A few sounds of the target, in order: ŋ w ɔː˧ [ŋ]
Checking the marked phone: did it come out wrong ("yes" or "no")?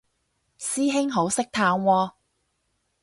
yes